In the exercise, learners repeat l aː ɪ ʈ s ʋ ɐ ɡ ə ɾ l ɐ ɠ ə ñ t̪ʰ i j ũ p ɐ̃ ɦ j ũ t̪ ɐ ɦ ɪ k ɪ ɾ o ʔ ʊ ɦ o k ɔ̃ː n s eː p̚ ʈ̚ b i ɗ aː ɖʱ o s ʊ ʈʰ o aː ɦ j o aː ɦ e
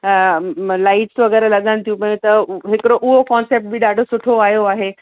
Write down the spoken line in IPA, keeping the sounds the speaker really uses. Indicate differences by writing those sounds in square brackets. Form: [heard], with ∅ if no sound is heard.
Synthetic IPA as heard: l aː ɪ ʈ s ʋ ɐ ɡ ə ɾ l ɐ ɠ ə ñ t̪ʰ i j ũ p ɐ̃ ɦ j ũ t̪ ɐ ɦ ɪ k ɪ ɾ o ʔ ʊ ɦ o k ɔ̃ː n s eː p̚ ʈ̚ b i ɗ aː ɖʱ o s ʊ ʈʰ o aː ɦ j o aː ɦ e